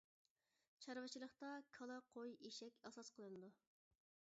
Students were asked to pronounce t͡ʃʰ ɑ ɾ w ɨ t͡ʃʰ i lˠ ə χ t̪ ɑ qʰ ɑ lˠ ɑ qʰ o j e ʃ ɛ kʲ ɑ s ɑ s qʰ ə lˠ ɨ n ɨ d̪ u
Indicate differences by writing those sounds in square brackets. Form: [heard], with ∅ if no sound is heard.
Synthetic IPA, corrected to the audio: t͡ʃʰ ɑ ɾ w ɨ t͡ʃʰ i lˠ ə χ t̪ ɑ [kʰ] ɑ lˠ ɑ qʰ o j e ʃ ɛ kʲ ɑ s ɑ s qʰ ə lˠ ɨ n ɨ d̪ u